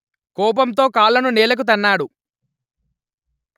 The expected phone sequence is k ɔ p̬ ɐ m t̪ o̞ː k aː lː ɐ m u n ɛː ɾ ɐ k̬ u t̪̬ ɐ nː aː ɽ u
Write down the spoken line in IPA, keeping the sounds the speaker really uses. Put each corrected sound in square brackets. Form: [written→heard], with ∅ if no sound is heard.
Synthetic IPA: k [ɔ→ɔː] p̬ ɐ m t̪ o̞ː k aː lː ɐ [m→n] u n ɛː [ɾ→l] ɐ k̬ u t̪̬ ɐ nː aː ɽ u